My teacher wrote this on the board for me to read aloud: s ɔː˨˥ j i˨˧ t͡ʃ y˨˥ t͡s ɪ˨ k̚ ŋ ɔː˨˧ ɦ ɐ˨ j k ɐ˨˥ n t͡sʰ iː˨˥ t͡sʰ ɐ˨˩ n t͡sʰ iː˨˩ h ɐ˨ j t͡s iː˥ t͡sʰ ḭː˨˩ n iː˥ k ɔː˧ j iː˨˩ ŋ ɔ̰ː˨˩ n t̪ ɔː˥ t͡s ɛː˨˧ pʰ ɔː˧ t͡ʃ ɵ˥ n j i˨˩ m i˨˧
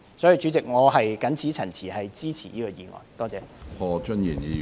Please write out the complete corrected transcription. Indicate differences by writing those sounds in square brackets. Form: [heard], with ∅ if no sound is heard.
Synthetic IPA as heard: s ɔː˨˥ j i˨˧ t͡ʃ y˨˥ t͡s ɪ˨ k̚ ŋ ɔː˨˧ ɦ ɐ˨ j k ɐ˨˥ n t͡sʰ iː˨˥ t͡sʰ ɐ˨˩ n t͡sʰ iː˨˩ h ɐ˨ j t͡s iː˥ t͡sʰ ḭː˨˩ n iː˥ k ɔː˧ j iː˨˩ ŋ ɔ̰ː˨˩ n t̪ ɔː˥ t͡s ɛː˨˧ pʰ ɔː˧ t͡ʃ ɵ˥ n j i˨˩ [n] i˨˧